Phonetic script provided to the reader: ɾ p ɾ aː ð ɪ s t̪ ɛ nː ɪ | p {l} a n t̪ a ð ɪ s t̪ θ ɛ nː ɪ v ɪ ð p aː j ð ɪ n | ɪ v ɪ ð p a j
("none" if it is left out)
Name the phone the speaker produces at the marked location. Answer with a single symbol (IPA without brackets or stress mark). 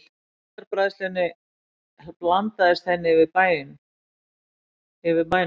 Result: l